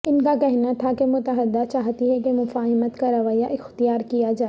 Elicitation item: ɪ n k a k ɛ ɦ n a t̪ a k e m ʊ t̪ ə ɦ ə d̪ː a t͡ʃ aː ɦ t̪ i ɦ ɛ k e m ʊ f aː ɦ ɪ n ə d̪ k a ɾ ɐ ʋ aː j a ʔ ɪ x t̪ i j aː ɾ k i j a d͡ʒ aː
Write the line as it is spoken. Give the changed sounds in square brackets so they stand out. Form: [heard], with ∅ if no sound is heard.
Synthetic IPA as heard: ɪ n k a k ɛ ɦ n a [t̪ʰ] a k e m ʊ t̪ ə ɦ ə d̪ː a t͡ʃ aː ɦ t̪ i ɦ ɛ k e m ʊ f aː ɦ ɪ [m] ə [t̪] k a ɾ ɐ ʋ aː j a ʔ ɪ x t̪ i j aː ɾ k i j a d͡ʒ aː